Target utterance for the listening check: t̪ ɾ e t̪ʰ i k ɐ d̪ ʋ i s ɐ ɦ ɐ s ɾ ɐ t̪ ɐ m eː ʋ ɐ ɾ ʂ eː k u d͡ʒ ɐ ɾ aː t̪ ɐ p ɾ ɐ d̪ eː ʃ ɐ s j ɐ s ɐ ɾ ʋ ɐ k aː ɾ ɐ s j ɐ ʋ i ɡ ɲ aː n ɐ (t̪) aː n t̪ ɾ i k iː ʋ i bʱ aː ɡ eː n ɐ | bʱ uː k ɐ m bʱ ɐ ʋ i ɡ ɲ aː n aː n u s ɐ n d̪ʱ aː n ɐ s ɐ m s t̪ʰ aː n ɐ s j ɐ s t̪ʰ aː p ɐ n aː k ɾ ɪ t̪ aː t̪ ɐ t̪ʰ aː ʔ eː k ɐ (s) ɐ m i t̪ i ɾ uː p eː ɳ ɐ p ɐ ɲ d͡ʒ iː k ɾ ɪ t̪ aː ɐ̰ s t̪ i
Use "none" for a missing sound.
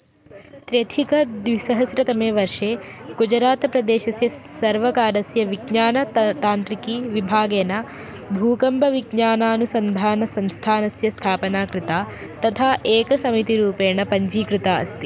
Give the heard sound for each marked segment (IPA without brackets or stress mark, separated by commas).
t̪, s